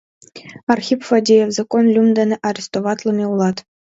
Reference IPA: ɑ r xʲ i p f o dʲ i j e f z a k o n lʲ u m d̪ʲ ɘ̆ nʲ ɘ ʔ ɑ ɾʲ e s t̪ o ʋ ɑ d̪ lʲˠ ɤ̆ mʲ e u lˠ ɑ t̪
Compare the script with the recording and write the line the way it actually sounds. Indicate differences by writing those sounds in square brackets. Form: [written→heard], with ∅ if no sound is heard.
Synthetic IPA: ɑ r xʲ i p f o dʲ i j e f z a k o n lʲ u m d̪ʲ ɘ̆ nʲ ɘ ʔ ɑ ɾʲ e s t̪ o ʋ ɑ [d̪→t̪] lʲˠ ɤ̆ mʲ e u lˠ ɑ t̪

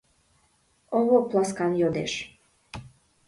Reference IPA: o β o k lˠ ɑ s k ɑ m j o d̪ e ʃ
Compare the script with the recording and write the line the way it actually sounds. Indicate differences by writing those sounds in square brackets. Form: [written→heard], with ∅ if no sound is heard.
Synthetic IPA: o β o [k→p] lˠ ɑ s k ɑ [m→n] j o d̪ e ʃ

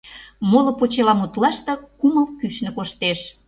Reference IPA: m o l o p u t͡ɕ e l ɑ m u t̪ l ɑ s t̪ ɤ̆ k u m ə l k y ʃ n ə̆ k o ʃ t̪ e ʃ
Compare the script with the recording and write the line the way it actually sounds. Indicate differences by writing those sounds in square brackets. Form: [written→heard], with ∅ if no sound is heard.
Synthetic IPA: m o l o p [u→o] t͡ɕ e l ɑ m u t̪ l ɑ [s→ʃ] t̪ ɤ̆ k u m ə l k y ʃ n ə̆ k o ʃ t̪ e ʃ

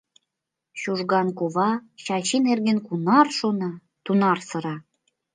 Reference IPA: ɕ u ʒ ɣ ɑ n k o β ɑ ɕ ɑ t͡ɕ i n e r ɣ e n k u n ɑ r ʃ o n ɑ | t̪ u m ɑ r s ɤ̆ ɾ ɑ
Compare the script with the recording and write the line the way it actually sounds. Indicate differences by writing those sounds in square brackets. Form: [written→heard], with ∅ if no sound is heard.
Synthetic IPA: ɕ u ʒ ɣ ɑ n k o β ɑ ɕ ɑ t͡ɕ i n e r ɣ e n k u n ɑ r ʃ o n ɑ | t̪ u [m→n] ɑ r s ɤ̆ ɾ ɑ

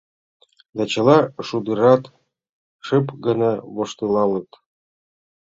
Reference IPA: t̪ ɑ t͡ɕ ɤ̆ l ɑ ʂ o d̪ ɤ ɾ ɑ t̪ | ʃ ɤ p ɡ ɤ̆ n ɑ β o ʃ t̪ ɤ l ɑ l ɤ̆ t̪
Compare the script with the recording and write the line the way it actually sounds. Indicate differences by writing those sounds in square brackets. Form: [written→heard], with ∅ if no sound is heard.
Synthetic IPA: [t̪→d̪] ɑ t͡ɕ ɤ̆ l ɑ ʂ [o→u] d̪ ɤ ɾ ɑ t̪ | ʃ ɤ p ɡ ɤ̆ n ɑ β o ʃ t̪ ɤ l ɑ l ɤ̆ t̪

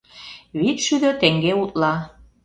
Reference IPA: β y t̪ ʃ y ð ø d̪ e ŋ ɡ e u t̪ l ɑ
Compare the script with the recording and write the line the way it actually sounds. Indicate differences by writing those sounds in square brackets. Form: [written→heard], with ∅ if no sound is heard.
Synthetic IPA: β [y→i] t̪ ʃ y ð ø [d̪→t̪] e ŋ ɡ e u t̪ l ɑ

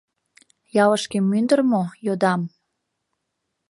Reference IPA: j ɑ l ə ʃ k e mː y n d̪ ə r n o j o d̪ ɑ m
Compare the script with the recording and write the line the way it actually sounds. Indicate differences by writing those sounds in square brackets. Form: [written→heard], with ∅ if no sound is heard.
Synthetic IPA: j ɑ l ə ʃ k e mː y n d̪ ə r [n→m] o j o d̪ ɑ m

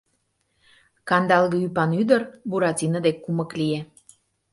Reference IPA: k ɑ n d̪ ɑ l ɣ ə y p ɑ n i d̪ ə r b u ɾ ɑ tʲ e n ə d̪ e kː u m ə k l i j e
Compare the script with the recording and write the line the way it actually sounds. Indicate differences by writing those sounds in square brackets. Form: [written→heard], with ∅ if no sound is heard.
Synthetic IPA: k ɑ n d̪ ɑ l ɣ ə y p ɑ n [i→y] d̪ ə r b u ɾ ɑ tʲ [e→i] n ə d̪ e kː u m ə k l i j e

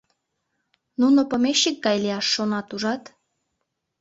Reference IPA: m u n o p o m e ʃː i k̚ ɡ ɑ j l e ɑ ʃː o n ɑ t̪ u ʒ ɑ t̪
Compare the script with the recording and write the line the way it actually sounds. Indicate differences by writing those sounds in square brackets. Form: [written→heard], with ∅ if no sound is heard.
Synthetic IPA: [m→n] u n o p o m e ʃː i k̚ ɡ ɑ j l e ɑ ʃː o n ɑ t̪ u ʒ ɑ t̪

